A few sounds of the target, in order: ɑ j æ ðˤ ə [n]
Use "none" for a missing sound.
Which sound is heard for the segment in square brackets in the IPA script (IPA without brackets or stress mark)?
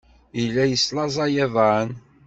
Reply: n